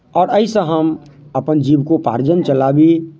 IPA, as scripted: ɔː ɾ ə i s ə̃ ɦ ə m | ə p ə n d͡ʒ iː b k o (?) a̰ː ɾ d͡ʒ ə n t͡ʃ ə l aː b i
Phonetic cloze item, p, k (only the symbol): p